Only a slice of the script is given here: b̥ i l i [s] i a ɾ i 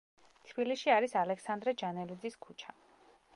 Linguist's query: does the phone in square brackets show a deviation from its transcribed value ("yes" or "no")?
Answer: yes